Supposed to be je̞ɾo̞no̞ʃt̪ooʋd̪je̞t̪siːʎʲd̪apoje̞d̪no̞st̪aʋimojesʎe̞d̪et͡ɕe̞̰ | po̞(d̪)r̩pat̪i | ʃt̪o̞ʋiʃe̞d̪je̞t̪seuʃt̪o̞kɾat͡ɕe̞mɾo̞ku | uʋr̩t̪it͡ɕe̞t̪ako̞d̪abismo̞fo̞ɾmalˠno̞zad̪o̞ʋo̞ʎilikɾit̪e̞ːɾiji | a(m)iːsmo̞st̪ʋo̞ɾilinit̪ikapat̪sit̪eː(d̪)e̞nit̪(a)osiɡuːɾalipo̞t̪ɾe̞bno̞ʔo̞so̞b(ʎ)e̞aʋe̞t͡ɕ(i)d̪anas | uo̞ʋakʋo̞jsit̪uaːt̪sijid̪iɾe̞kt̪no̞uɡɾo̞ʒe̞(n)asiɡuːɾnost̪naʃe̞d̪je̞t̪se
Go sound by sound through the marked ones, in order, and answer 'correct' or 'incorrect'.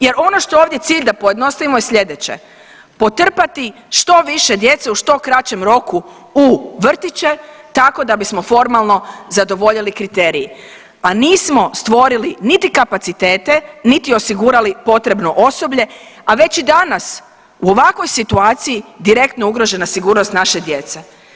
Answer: incorrect: t̪, incorrect: n, incorrect: t̪, incorrect: i, correct, correct, correct

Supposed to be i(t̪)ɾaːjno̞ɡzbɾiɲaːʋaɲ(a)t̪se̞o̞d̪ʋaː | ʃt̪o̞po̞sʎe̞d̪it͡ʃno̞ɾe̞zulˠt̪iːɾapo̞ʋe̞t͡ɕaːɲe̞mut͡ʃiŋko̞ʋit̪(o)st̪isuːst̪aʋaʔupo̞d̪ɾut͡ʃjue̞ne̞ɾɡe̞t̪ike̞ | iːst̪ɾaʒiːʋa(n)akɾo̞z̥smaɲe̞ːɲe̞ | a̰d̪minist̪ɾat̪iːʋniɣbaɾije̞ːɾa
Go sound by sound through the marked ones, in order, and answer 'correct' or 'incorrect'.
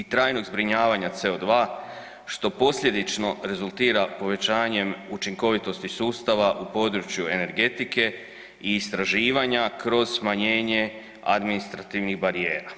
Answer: correct, correct, correct, incorrect: ɲ

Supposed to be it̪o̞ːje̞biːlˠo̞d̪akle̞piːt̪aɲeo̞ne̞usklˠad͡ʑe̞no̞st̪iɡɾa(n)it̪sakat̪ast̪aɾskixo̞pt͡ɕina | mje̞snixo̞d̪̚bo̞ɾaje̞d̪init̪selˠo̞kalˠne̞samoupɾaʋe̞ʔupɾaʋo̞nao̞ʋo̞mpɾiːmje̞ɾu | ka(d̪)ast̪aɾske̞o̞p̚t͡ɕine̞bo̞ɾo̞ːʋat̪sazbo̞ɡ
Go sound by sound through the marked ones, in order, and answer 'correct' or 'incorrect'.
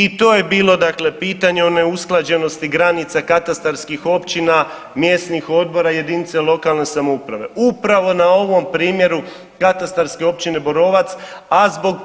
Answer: correct, incorrect: t̪

